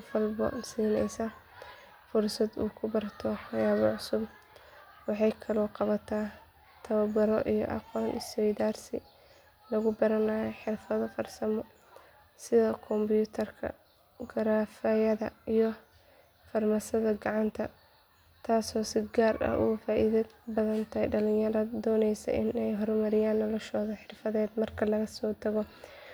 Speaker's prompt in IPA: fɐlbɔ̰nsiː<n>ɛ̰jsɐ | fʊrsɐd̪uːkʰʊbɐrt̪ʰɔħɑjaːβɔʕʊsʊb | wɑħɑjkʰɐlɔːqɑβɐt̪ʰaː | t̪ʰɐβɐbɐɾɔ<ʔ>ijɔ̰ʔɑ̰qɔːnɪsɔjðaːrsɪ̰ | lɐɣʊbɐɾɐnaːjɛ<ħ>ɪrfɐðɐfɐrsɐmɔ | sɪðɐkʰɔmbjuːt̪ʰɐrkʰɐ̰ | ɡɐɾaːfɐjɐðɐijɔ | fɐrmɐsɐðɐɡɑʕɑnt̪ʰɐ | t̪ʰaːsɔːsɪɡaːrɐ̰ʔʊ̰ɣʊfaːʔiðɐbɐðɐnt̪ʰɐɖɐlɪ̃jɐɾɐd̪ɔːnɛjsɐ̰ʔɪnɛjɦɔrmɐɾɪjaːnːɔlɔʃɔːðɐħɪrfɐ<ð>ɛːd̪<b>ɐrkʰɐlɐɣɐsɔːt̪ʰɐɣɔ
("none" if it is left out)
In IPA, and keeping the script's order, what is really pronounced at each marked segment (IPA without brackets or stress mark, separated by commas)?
n, ʔ, ħ, ð, m